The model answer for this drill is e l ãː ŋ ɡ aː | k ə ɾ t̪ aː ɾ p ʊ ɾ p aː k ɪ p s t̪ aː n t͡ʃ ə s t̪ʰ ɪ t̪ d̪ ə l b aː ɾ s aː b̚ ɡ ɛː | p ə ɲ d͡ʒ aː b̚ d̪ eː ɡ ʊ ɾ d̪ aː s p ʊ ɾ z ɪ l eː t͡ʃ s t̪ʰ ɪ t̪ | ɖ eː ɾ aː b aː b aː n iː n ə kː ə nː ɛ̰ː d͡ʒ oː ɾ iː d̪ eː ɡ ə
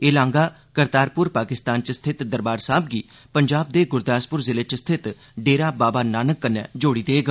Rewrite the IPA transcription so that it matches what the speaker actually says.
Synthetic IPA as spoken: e l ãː ŋ ɡ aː | k ə ɾ t̪ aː ɾ p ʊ ɾ p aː k ɪ s t̪ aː n t͡ʃ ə s t̪ʰ ɪ t̪ d̪ ə ɾ b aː ɾ s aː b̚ ɡ iː | p ə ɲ d͡ʒ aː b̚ d̪ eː ɡ ʊ ɾ d̪ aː s p ʊ ɾ z ɪ l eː t͡ʃ s t̪ʰ ɪ t̪ | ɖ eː ɾ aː b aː b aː n aː n ə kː ə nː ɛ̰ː d͡ʒ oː ɽ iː d̪ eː ɡ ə